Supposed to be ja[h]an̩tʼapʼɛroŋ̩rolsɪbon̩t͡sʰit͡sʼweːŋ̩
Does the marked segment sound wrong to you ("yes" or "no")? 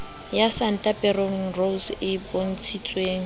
yes